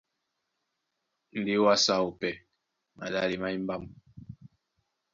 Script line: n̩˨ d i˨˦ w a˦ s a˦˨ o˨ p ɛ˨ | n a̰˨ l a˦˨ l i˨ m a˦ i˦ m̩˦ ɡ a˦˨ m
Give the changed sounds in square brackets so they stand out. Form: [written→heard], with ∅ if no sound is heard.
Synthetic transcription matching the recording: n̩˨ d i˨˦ w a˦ s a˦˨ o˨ p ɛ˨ | [n→m] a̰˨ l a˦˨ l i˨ m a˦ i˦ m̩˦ [ɡ→b] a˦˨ m

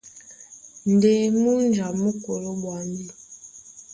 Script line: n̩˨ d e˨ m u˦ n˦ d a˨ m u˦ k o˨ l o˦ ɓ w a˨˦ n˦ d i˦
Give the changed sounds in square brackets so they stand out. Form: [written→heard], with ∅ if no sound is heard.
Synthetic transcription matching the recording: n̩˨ d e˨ m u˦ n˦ [d→d͡ʒ] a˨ m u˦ k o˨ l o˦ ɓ w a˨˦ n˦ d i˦

